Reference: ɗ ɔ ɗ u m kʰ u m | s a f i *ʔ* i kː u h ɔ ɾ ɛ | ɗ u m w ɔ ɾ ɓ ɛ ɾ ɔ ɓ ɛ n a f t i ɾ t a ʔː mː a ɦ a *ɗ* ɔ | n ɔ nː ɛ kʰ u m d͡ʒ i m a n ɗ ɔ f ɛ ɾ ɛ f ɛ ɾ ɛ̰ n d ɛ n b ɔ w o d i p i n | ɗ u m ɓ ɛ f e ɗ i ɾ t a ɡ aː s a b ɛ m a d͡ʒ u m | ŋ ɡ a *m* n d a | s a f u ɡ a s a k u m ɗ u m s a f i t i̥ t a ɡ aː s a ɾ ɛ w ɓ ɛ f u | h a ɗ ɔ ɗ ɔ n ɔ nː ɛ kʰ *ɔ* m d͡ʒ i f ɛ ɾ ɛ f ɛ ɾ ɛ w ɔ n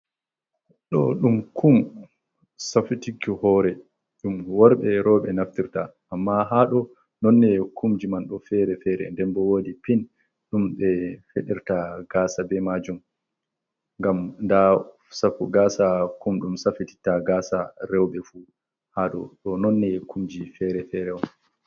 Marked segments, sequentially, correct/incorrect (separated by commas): incorrect, correct, correct, incorrect